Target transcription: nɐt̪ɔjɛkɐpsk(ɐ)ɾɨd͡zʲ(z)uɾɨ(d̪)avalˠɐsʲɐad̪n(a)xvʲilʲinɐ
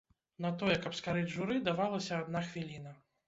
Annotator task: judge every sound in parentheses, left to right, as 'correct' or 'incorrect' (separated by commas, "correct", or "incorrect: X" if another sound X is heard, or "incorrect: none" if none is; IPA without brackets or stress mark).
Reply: incorrect: a, incorrect: ʐ, correct, correct